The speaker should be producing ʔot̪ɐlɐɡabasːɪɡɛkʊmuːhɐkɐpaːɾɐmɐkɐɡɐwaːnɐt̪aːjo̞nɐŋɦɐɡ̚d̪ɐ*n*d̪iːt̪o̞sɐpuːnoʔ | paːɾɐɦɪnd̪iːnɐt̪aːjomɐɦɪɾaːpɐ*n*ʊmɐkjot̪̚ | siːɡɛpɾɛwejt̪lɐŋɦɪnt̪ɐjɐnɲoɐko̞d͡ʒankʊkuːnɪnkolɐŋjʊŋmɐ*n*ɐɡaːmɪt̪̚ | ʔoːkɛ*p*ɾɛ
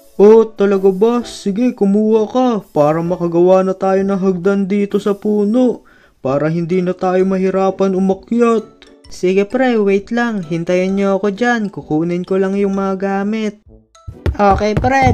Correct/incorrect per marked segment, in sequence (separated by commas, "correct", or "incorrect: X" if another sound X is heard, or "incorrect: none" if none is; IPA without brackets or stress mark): correct, correct, incorrect: ŋ, correct